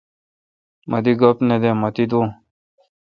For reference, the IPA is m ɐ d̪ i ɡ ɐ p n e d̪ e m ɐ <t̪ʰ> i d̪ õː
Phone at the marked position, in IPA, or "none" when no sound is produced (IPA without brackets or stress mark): t̪